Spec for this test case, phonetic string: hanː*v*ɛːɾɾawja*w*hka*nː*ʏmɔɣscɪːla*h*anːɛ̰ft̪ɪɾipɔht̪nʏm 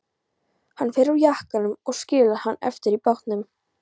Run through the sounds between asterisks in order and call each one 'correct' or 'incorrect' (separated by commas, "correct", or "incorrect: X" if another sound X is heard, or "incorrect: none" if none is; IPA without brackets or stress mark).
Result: incorrect: f, incorrect: none, incorrect: n, correct